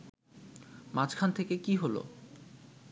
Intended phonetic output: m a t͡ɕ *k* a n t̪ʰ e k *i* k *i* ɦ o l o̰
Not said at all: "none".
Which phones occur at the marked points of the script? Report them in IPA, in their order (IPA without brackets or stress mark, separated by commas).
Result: kʰ, e, i